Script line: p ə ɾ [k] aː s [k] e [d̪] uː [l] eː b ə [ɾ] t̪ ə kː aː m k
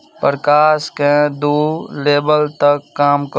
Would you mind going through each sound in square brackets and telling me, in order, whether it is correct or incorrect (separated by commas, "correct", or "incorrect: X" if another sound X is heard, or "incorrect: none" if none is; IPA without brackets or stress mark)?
correct, correct, correct, correct, incorrect: l